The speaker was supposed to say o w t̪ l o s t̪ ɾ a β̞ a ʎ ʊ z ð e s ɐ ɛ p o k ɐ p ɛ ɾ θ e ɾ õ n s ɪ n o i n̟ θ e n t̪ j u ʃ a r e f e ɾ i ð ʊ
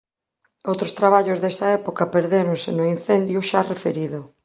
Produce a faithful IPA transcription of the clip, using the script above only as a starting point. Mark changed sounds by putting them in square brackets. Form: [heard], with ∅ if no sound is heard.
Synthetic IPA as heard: o w t̪ [ɾ] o s t̪ ɾ a β̞ a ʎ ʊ z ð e s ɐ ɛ p o k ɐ p [e] ɾ [ð] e ɾ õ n s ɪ n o i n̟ θ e n [d̪] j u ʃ a r e f e ɾ i ð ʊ

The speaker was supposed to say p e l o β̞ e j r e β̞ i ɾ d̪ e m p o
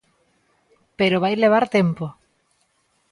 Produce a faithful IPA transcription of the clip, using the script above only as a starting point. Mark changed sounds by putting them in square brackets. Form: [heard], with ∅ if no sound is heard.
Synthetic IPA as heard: p e [ɾ] o β̞ [a] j [l] e β̞ [a] ɾ [t̪] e m p o

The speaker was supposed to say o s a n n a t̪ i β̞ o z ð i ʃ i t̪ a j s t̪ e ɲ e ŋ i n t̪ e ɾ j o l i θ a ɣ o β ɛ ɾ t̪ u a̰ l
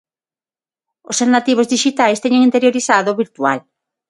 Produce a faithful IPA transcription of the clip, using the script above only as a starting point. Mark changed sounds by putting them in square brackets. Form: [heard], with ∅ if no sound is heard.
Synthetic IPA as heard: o s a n n a t̪ i β̞ o z ð i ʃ i t̪ a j s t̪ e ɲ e ŋ i n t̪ e ɾ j o [ɾ] i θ a [ð] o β [i] ɾ t̪ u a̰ l

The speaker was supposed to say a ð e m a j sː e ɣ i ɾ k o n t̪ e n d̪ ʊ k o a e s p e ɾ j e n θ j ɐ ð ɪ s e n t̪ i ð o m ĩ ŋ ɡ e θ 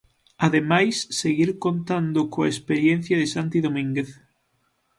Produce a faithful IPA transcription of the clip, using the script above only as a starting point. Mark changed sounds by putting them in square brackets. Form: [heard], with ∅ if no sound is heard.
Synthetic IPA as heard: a ð e m a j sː e ɣ i ɾ k o n t̪ [a] n d̪ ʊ k o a e s p e ɾ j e n θ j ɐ ð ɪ s [a] n t̪ i ð o m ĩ ŋ ɡ e θ

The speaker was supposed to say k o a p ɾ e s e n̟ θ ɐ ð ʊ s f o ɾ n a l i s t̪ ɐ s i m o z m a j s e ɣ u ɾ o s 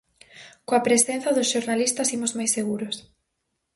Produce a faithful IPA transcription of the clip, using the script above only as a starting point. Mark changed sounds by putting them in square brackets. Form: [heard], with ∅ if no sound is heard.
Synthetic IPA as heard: k o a p ɾ e s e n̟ θ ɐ ð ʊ s [ʃ] o ɾ n a l i s t̪ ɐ s i m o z m a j s e ɣ u ɾ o s

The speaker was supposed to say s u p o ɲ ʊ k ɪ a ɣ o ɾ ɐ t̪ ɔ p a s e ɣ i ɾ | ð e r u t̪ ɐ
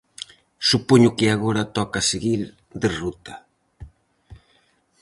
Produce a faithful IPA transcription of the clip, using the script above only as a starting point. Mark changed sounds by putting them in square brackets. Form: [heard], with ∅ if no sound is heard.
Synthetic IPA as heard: s u p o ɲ ʊ k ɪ a ɣ o ɾ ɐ t̪ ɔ [k] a s e ɣ i ɾ | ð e r u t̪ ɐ

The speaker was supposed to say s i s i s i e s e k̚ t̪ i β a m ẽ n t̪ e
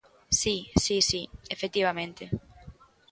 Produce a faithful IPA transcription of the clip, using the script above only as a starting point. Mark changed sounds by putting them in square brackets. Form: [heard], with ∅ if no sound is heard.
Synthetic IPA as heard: s i s i s i e [f] e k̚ t̪ i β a m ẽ n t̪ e

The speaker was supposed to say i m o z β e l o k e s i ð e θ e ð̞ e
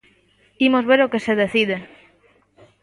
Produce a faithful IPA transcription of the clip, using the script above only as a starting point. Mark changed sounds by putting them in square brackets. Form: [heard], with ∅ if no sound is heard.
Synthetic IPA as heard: i m o z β e [ɾ] o k e s [e] ð e θ [i] ð̞ e

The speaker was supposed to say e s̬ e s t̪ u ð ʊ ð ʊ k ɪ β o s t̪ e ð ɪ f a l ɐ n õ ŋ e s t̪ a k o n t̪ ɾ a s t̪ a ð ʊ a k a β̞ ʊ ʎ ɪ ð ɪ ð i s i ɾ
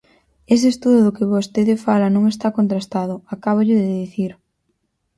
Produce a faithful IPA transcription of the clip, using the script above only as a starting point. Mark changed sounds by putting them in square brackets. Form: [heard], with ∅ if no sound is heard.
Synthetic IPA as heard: e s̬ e s t̪ u ð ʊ ð ʊ k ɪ β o s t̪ e ð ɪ f a l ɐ n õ ŋ e s t̪ a k o n t̪ ɾ a s t̪ a ð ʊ a k a β̞ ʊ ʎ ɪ ð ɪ ð i [θ] i ɾ

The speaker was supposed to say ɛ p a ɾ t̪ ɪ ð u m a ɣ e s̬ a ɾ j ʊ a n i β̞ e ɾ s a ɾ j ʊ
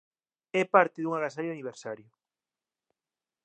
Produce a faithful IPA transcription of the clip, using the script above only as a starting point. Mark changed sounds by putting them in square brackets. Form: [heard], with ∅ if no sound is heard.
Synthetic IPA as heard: ɛ p a ɾ t̪ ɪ ð u [ŋ] a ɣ [a] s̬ a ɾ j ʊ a n i β̞ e ɾ s a ɾ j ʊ

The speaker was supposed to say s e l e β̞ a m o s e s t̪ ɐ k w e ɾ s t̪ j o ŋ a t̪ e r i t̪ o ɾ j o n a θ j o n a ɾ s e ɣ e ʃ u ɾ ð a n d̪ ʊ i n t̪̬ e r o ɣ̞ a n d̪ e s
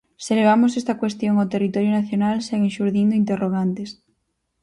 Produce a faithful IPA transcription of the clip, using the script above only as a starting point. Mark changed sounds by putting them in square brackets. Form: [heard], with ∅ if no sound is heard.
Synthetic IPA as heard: s e l e β̞ a m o s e s t̪ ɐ k w e [∅] s t̪ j o ŋ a t̪ e r i t̪ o ɾ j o n a θ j o n a [l] s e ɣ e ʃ u ɾ ð [i] n d̪ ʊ i n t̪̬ e r o ɣ̞ a n [t̪] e s

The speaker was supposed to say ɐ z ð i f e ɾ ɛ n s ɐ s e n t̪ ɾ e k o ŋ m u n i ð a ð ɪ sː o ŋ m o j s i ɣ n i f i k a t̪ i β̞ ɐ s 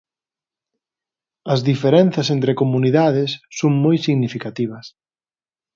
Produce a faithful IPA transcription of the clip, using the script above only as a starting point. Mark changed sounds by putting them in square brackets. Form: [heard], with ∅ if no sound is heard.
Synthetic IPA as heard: ɐ z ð i f e ɾ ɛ n [θ] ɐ s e n t̪ ɾ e k o [∅] m u n i ð a ð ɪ sː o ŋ m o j s i ɣ n i f i k a t̪ i β̞ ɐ s

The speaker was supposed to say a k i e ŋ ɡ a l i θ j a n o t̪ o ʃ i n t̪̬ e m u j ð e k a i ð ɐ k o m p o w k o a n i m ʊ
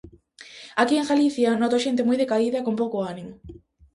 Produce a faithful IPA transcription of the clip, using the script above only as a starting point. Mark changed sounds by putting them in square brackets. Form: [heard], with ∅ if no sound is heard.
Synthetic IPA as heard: a k i e ŋ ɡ a l i θ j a n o t̪ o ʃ [e] n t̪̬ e m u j ð e k a i ð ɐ k o m p o w k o a n i m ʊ

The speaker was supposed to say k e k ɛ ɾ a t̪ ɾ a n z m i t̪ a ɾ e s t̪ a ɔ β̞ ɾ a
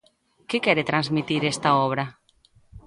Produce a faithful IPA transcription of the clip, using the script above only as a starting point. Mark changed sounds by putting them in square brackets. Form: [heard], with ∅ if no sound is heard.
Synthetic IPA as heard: k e k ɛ ɾ [e] t̪ ɾ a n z m i t̪ [i] ɾ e s t̪ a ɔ β̞ ɾ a

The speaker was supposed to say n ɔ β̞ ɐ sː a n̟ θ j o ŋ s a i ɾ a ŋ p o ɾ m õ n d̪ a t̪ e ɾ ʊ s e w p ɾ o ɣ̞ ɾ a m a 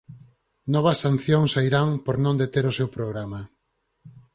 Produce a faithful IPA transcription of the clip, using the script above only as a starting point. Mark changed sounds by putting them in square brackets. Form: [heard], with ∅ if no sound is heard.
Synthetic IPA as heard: n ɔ β̞ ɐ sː a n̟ θ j o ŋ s a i ɾ a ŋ p o ɾ [n] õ n d̪ [e] t̪ e ɾ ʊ s e w p ɾ o ɣ̞ ɾ a m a

